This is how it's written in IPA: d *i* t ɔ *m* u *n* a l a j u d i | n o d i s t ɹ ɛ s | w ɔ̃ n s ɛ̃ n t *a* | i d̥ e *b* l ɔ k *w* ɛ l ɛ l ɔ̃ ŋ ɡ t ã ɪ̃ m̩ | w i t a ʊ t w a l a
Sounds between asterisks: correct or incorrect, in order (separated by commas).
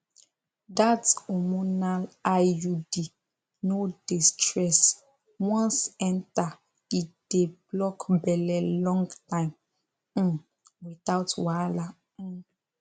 incorrect, correct, correct, correct, correct, incorrect